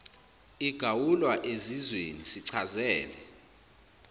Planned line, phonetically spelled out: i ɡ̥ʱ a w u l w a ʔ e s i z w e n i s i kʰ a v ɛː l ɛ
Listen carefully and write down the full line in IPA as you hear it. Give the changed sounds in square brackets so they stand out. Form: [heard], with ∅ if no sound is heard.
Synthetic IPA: i ɡ̥ʱ a w u l w a ʔ e [z] i z w e n i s i [ǀʰ] a [z] ɛː l ɛ